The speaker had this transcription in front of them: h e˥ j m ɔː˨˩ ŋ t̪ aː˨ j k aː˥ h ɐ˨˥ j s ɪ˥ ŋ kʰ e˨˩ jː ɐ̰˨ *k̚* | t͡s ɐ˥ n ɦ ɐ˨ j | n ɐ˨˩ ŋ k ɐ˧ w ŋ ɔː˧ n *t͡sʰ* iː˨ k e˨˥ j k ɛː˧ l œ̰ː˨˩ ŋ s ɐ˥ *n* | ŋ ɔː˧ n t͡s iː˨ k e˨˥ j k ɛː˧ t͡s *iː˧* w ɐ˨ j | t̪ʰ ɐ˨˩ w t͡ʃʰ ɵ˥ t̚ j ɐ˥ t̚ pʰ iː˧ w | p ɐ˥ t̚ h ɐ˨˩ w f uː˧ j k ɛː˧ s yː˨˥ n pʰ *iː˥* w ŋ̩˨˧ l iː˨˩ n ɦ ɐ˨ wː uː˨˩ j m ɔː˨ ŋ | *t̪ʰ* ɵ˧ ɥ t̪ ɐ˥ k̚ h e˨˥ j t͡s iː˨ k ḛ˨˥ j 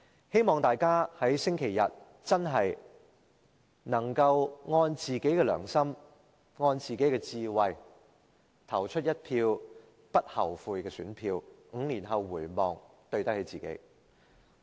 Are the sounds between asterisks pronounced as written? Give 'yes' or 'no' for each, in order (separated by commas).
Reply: no, no, no, yes, no, no